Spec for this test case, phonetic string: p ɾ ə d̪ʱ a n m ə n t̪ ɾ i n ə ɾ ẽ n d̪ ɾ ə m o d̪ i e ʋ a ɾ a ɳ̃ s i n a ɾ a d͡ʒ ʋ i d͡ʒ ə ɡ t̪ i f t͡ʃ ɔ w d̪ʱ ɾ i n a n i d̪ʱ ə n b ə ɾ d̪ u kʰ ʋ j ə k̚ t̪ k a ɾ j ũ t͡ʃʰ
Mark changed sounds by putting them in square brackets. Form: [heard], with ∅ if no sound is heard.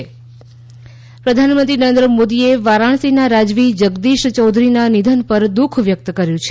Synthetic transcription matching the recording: p ɾ ə d̪ʱ a n m ə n t̪ ɾ i n ə ɾ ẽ n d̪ ɾ ə m o d̪ i e ʋ a ɾ a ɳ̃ s i n a ɾ a d͡ʒ ʋ i d͡ʒ ə ɡ [d̪] i [ʃ] t͡ʃ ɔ w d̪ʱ ɾ i n a n i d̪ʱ ə n [p] ə ɾ d̪ u kʰ ʋ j ə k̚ t̪ k [ə] ɾ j ũ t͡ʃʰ